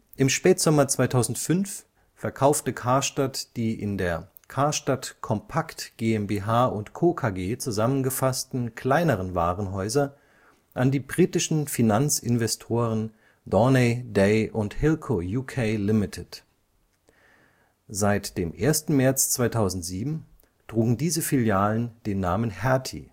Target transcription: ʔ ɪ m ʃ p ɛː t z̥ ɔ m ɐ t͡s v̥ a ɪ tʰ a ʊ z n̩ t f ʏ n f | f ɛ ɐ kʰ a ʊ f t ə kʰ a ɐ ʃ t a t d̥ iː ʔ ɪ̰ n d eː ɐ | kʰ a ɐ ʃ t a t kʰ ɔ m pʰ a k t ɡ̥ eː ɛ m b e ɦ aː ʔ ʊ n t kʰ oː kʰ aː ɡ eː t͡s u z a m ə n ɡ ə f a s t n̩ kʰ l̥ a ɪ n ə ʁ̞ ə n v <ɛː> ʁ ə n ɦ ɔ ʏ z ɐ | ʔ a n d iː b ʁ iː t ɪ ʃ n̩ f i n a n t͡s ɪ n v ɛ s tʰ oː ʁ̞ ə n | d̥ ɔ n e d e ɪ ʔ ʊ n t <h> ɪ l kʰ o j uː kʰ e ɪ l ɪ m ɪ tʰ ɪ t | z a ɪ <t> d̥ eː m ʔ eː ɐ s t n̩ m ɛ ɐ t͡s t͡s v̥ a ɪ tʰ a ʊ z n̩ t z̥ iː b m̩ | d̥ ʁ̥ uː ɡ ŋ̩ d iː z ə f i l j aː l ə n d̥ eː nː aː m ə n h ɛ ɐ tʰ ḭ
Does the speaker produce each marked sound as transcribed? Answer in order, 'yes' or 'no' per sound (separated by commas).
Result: no, yes, yes